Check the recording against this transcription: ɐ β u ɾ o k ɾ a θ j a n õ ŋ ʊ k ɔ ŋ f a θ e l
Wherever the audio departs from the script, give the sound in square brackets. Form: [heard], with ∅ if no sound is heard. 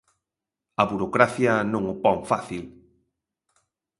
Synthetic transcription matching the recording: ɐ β u ɾ o k ɾ a θ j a n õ ŋ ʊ [p] ɔ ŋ f a θ [i] l